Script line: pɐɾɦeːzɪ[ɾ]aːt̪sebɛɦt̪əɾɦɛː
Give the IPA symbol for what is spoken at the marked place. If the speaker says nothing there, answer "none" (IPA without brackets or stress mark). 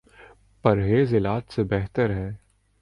l